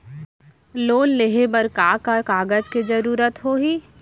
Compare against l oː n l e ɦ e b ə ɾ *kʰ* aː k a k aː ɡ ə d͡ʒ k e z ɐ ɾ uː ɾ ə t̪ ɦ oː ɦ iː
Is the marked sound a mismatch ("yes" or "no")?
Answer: yes